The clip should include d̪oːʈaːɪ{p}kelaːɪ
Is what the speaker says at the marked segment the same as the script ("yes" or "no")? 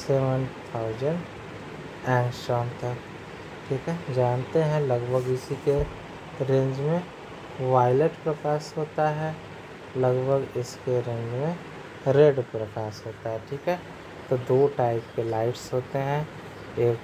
yes